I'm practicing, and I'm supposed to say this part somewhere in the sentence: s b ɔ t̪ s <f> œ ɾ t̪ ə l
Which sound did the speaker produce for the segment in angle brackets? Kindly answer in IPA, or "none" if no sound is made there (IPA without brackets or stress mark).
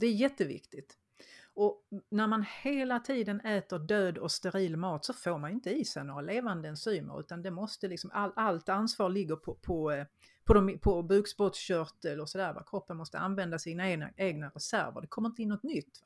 ɕ